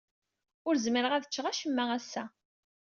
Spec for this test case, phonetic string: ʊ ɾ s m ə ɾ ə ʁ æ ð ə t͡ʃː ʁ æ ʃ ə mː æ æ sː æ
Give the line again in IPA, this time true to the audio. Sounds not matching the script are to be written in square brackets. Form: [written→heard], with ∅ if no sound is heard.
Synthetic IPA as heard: ʊ ɾ [s→z] m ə ɾ ə ʁ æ ð ə t͡ʃː ʁ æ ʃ ə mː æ æ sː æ

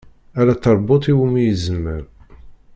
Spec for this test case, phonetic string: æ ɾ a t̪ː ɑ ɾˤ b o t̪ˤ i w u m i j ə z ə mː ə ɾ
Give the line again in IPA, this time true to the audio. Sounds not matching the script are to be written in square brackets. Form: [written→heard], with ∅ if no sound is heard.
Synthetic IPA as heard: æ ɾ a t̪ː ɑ ɾˤ b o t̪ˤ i w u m i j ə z ə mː ə ɾ

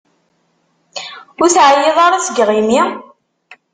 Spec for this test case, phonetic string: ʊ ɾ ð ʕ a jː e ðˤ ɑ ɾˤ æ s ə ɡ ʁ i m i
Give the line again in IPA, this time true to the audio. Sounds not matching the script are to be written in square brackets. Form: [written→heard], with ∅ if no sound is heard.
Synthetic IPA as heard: ʊ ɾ [ð→θ] ʕ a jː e ðˤ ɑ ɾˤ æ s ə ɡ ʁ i m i

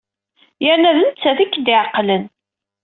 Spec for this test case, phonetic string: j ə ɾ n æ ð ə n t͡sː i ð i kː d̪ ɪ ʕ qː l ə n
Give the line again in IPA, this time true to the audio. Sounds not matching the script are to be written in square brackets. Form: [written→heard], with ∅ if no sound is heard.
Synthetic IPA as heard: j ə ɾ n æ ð ə n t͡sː [i→æ] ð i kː d̪ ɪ ʕ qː l ə n

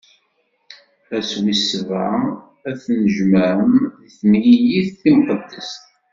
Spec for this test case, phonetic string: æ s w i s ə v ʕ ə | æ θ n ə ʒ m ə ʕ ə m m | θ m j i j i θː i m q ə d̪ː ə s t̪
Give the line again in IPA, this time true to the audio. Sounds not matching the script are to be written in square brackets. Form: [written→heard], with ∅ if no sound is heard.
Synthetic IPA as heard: æ s w i s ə v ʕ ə | æ θ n ə ʒ m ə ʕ ə m m | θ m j i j i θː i m q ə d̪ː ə s t̪

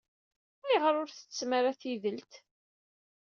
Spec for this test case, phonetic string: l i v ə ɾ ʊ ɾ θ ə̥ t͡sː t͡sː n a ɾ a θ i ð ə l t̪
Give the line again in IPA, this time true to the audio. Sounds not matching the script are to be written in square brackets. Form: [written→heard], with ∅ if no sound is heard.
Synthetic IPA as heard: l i [v→ʁ] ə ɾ ʊ ɾ θ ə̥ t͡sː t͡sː [n→m] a ɾ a θ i ð ə l t̪

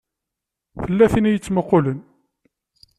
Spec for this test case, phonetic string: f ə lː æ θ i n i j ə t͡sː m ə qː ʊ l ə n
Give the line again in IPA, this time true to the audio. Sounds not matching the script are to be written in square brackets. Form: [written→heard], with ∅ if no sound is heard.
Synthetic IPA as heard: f ə lː æ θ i n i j ə t͡sː m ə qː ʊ l ə n

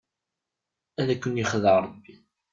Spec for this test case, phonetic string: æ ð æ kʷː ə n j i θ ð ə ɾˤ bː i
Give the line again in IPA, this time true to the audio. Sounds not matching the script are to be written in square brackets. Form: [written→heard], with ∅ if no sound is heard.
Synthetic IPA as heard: æ ð æ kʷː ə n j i [θ→χ] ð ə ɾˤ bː i

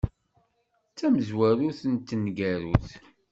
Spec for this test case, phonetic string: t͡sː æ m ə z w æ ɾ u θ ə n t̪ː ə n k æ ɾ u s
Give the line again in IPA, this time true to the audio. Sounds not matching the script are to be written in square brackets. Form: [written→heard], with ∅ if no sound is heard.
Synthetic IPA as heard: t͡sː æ m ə z w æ ɾ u θ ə n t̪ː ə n [k→ɡ] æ ɾ u [s→θ]

